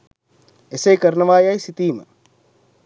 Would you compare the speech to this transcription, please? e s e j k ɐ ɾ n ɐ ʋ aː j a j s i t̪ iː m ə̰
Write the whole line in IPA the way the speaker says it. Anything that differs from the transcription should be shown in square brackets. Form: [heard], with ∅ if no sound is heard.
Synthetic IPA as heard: e s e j k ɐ ɾ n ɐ ʋ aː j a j s i t̪ iː m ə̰